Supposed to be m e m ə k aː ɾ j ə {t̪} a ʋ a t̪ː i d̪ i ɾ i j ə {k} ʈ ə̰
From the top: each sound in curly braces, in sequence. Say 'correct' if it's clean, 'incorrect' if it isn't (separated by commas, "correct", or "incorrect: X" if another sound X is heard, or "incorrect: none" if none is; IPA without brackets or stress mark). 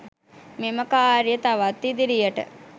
correct, incorrect: none